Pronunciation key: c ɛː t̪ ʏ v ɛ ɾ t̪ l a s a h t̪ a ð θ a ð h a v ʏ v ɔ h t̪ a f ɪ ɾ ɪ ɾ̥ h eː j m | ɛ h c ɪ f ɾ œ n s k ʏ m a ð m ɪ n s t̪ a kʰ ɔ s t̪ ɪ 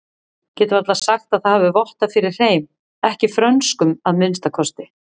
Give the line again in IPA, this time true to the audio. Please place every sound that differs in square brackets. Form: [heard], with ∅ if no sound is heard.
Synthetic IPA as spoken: c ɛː t̪ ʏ v [a] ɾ t̪ l a s a [x] t̪ a ð θ a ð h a v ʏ v ɔ h t̪ a f ɪ ɾ ɪ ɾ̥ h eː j m | ɛ h c ɪ f ɾ œ n s k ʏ m a ð m ɪ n s t̪ a kʰ ɔ s t̪ ɪ